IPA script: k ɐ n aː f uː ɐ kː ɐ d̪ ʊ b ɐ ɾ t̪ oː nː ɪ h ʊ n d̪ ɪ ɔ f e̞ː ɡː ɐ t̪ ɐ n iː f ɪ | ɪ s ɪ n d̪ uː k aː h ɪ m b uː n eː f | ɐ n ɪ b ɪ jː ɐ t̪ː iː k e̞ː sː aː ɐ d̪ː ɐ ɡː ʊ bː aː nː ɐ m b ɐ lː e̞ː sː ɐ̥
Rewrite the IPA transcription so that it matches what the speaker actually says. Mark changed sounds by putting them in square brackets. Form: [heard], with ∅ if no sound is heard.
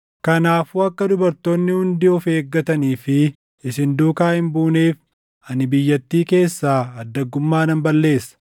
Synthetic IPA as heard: k ɐ n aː f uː ɐ kː ɐ d̪ ʊ b ɐ ɾ t̪ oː nː ɪ h ʊ n d̪ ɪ ɔ f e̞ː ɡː ɐ t̪ ɐ n iː f ɪ | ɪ s ɪ n d̪ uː k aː h ɪ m b uː n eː f | ɐ n ɪ b ɪ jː ɐ t̪ː iː k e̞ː sː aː ɐ d̪ː ɐ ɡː ʊ [mː] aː [n] ɐ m b ɐ lː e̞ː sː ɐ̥